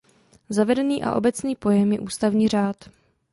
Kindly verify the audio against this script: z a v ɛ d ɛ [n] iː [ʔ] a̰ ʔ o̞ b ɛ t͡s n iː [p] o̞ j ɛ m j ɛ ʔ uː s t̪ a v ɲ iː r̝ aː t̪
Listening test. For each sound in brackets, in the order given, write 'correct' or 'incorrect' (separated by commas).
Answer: correct, correct, correct